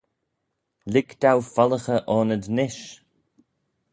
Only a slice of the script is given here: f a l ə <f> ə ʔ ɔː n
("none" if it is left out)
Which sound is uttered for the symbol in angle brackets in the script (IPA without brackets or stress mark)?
x